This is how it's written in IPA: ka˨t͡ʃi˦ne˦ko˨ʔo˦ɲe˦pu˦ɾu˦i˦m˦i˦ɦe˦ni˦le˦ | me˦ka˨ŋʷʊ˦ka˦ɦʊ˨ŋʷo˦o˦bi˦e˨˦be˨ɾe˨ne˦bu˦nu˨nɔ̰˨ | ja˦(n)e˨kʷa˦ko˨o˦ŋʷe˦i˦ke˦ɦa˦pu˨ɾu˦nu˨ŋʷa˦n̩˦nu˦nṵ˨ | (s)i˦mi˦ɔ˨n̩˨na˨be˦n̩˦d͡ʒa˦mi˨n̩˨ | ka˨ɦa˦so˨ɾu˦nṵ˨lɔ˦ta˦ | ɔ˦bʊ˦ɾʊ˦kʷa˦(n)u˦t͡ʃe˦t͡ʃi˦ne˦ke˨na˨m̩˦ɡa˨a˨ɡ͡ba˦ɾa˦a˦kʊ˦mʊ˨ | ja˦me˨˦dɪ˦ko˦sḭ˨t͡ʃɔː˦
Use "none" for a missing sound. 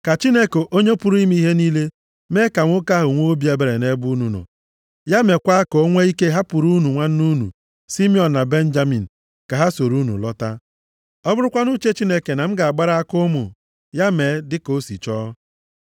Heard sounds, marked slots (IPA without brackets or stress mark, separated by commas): m, s, n